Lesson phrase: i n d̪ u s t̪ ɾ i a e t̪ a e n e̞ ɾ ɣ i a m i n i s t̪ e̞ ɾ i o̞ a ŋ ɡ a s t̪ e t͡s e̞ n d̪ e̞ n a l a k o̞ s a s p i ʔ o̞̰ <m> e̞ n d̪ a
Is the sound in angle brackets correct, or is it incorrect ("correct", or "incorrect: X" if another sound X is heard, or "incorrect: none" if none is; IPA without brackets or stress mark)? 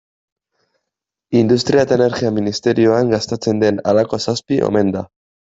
correct